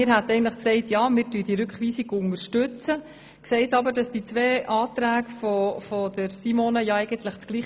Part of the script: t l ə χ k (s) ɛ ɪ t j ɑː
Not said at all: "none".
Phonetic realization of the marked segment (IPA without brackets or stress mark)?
s